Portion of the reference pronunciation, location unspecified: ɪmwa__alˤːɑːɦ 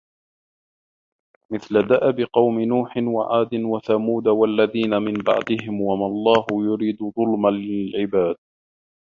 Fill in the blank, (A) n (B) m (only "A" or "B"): B